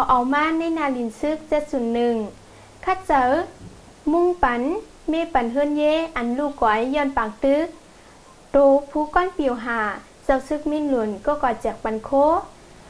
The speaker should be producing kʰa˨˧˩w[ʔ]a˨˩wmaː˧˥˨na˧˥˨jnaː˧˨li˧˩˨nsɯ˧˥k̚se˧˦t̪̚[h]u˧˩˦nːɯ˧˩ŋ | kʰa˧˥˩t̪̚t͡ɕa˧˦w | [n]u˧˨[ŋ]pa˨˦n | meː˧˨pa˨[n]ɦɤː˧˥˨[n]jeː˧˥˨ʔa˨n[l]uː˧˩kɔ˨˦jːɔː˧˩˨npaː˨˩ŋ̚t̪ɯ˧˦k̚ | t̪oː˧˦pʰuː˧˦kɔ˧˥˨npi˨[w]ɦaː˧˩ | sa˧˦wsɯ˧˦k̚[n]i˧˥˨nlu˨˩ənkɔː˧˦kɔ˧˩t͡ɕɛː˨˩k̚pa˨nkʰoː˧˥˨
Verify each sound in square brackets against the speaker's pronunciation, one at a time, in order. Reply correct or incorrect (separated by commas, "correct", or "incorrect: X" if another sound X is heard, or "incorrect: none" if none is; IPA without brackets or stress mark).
correct, incorrect: s, incorrect: m, correct, correct, correct, correct, correct, incorrect: m